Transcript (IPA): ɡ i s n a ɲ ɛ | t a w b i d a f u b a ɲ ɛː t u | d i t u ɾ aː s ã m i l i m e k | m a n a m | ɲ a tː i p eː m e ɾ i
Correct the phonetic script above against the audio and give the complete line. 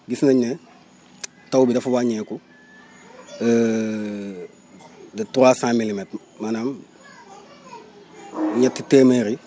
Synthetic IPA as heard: ɡ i s n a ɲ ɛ | t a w b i d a f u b a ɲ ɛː k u | d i t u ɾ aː s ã m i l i m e t | m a n a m | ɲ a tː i t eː m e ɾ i